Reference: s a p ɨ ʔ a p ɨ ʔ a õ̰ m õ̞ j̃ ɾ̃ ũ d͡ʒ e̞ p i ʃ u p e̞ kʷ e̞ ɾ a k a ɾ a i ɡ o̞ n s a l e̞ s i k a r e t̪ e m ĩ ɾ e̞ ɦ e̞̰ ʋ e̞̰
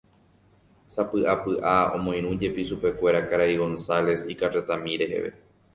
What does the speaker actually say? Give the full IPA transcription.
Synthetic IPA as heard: s a p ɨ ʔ a p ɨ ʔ a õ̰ m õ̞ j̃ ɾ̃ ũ d͡ʒ e̞ p i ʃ u p e̞ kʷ e̞ ɾ a k a ɾ a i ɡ o̞ n s a l e̞ s i k a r e t̪ a m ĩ ɾ e̞ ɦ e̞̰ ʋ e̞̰